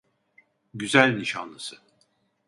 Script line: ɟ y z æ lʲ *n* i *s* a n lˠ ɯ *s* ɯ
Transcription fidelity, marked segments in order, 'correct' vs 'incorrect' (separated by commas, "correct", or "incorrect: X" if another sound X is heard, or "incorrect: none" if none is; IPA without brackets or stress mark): correct, incorrect: ʃ, correct